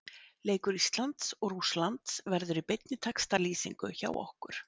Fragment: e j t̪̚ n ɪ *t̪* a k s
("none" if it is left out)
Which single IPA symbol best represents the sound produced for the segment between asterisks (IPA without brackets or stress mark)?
t̪ʰ